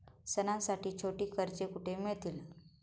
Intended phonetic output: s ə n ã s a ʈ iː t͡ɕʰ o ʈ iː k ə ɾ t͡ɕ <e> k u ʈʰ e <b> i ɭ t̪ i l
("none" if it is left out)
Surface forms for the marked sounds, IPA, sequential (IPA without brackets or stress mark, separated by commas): e, m